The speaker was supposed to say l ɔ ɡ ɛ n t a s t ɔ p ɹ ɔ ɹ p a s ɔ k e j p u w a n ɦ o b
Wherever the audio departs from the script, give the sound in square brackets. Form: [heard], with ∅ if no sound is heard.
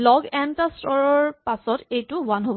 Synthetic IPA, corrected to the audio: l ɔ ɡ ɛ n t a s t ɔ [∅] ɹ ɔ ɹ p a s ɔ [t] e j [t] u w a n ɦ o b